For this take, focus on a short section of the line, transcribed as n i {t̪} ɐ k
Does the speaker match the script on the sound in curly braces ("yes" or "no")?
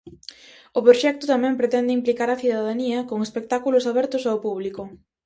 no